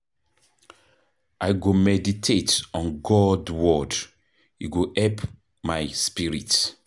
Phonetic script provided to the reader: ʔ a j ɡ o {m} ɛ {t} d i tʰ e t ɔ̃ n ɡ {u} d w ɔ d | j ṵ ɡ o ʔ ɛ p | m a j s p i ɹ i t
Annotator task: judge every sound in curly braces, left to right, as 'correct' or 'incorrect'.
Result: correct, incorrect, incorrect

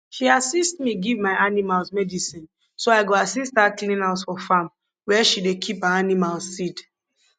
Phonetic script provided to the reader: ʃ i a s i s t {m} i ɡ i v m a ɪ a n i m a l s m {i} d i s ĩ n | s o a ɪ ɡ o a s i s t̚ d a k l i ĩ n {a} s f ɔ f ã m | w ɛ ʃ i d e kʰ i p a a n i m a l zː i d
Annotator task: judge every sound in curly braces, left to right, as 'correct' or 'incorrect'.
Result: correct, incorrect, correct

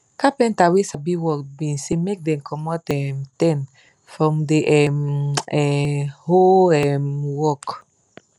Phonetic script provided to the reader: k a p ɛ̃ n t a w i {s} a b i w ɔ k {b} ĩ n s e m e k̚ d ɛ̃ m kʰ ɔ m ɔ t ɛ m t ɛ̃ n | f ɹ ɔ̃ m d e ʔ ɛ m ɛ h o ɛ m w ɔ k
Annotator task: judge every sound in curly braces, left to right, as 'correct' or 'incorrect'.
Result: correct, correct

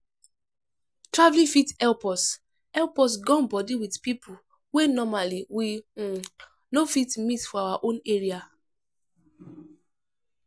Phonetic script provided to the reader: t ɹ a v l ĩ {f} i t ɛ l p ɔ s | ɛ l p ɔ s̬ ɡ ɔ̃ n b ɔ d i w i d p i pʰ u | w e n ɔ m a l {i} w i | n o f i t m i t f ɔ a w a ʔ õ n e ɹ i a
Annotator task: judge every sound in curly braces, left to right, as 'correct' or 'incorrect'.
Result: correct, correct

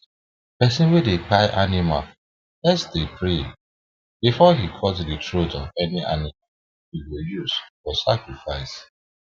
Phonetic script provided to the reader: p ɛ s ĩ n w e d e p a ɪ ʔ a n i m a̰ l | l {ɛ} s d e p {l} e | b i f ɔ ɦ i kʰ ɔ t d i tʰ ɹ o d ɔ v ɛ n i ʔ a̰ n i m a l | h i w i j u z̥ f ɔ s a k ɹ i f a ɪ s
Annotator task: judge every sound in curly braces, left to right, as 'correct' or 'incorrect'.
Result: correct, incorrect

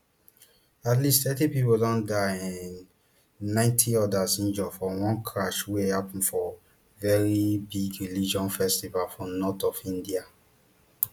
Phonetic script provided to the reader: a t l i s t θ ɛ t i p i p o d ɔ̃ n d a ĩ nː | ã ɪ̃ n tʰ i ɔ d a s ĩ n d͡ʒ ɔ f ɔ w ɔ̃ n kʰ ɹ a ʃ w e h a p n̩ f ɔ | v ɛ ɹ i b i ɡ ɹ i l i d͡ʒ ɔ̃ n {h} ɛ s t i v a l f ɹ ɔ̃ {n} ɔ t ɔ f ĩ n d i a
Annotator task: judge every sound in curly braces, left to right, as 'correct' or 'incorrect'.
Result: incorrect, correct

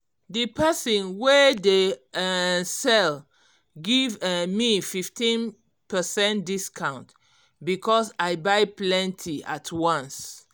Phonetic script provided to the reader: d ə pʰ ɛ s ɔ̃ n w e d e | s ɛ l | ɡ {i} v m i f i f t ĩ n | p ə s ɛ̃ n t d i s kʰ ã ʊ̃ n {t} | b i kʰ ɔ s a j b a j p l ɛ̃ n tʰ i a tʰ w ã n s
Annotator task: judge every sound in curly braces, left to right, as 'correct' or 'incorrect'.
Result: correct, correct

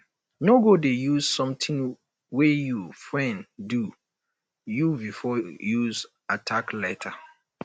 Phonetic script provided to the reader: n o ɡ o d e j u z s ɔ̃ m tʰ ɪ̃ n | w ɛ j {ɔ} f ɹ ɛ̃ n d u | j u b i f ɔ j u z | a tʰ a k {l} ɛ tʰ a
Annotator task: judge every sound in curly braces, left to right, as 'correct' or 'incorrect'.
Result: incorrect, correct

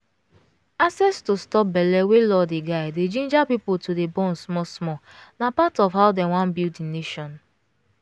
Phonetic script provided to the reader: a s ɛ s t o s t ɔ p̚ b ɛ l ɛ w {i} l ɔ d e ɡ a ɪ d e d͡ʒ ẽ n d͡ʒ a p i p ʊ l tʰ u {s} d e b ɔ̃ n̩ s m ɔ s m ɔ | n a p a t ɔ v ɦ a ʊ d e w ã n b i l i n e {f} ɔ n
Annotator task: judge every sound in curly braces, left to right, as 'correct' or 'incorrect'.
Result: incorrect, incorrect, incorrect

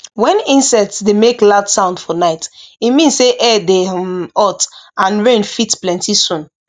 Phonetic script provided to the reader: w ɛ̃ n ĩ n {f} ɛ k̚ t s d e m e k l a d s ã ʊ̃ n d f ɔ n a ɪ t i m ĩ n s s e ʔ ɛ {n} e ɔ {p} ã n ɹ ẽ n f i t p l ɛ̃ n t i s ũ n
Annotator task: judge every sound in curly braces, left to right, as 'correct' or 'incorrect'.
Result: incorrect, incorrect, incorrect

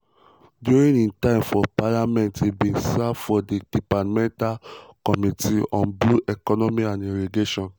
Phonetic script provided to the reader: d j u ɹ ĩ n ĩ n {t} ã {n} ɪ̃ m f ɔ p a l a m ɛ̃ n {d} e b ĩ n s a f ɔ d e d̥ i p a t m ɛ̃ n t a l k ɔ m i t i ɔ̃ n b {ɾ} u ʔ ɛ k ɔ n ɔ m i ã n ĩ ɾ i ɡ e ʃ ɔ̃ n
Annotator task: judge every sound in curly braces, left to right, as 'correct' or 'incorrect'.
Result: correct, incorrect, incorrect, incorrect

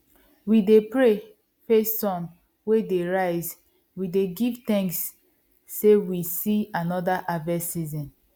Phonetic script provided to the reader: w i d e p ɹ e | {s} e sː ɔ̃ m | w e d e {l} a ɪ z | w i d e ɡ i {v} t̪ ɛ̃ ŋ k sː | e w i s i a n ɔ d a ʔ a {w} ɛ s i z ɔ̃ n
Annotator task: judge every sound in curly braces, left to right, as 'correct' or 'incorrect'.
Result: incorrect, incorrect, correct, incorrect

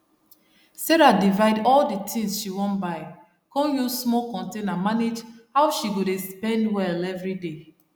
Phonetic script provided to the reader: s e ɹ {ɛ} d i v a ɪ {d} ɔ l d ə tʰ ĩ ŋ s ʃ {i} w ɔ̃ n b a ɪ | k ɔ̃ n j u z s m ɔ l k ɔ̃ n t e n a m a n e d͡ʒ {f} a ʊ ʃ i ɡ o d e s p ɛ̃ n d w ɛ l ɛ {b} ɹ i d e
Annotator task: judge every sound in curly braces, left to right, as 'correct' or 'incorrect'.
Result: incorrect, correct, correct, incorrect, incorrect

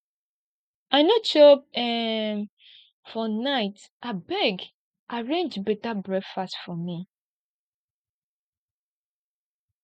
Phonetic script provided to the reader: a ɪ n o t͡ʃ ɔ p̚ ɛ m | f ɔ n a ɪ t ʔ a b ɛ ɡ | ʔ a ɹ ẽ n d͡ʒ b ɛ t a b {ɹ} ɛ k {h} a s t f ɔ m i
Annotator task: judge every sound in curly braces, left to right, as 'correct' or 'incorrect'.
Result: correct, incorrect

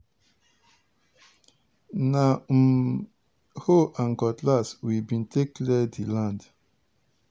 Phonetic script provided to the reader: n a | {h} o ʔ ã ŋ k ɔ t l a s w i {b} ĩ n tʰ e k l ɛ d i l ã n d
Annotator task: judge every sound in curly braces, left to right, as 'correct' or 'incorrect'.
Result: correct, correct

